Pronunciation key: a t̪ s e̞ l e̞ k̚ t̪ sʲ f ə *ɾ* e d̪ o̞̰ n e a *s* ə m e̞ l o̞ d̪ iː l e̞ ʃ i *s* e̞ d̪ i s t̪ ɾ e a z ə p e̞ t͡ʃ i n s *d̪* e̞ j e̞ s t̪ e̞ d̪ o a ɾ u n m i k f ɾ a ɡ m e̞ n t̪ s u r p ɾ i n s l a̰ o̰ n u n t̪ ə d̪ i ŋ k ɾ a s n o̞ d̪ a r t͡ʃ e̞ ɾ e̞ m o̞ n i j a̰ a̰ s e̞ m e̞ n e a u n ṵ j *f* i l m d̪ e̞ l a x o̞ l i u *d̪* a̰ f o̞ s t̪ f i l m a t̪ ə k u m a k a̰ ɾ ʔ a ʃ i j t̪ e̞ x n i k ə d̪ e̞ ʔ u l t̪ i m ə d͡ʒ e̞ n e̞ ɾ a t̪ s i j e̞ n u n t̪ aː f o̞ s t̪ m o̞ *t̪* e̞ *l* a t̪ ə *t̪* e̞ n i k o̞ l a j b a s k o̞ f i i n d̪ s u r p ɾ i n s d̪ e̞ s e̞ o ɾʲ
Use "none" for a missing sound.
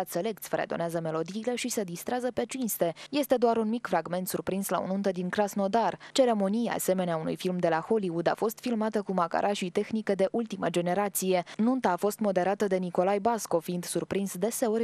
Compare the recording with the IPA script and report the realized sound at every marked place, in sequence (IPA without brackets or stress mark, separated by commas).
ɾ, z, s, t̪, f, d̪, d̪, ɾ, d̪